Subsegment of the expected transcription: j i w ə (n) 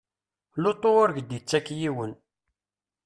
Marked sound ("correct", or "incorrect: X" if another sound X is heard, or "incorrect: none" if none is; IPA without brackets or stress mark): correct